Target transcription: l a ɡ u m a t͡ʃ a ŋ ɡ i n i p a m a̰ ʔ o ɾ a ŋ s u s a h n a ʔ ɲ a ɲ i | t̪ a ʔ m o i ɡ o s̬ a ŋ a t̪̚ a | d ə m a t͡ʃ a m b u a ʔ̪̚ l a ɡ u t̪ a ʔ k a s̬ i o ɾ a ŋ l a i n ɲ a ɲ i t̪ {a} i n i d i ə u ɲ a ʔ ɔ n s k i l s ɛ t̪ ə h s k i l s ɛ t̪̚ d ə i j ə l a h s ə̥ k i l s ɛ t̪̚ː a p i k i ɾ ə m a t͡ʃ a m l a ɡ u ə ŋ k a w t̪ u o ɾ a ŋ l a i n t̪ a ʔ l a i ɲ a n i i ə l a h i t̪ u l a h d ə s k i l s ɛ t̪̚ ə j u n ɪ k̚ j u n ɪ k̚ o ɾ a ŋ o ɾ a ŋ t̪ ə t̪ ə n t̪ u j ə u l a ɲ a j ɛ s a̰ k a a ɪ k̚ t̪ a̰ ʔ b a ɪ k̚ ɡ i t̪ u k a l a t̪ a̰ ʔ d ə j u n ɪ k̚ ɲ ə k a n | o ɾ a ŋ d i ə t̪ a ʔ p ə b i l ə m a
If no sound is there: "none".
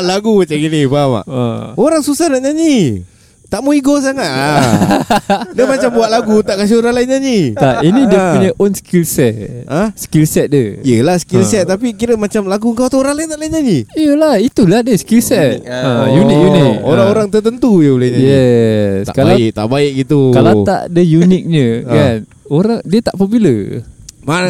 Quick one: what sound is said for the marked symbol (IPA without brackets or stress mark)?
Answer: a